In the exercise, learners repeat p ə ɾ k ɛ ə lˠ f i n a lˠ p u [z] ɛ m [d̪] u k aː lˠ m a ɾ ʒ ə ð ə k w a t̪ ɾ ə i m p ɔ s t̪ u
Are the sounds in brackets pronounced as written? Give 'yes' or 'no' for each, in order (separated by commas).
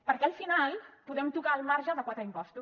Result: no, no